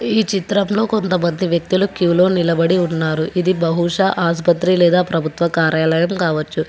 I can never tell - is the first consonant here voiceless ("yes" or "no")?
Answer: yes